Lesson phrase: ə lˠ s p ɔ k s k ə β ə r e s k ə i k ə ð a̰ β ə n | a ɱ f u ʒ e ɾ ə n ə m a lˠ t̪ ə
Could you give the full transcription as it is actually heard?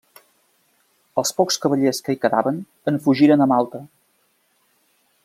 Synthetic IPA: ə lˠ s p ɔ k s k ə β ə ʎ e s k ə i k ə ð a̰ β ə n | ə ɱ f u ʒ i ɾ ə n ə m a lˠ t̪ ə

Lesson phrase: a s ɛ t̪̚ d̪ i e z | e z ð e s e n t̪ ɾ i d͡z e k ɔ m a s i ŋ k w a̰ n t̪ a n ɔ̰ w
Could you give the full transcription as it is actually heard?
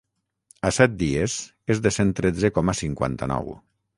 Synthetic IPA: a s ɛ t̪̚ d̪ i e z | e z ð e s e n t̪ ɾ e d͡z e k ɔ m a s i ŋ k w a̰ n t̪ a n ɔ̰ w

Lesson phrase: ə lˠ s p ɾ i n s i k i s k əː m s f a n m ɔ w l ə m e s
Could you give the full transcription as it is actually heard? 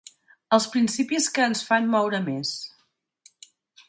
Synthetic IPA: ə lˠ s p ɾ i n s i p i s k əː n s f a n m ɔ w ɾ ə m e s

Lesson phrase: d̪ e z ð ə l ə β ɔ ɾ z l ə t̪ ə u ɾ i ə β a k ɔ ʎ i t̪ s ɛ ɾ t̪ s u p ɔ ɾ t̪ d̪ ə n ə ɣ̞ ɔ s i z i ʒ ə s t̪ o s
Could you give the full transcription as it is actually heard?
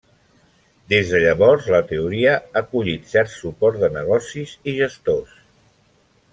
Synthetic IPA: d̪ e z ð ə ʎ ə β ɔ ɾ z l ə t̪ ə u ɾ i ə a k u ʎ i t̪ s ɛ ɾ t̪ s u p ɔ ɾ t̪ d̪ ə n ə ɣ̞ ɔ s i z i ʒ ə s t̪ o s

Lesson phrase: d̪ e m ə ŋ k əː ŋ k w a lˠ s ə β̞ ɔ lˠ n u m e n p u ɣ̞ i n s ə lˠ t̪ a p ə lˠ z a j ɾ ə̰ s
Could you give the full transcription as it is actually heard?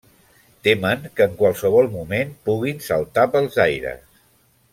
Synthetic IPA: t̪ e m ə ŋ k əː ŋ k w a lˠ s ə β̞ ɔ lˠ m u m e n p u ɣ̞ i n s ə lˠ t̪ a p ə lˠ z a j ɾ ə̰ s

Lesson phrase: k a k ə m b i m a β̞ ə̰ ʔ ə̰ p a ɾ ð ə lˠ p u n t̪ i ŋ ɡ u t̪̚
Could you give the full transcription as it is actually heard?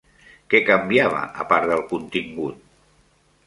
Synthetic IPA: k ɛ k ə m b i a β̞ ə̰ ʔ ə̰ p a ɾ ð ə lˠ k u n t̪ i ŋ ɡ u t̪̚

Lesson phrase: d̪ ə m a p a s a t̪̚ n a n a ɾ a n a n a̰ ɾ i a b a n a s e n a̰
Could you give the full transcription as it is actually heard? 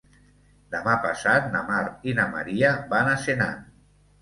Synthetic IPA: d̪ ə m a p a s a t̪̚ n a m a ɾ i n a m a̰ ɾ i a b a n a s e n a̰

